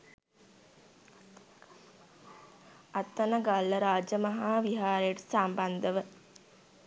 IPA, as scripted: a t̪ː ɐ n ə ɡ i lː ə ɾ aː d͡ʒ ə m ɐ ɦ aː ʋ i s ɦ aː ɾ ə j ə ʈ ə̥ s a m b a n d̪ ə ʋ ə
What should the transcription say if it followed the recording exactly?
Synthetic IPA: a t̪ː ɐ n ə ɡ a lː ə ɾ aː d͡ʒ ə m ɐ ɦ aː ʋ i ɦ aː ɾ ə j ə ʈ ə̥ s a m b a n d̪ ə ʋ ə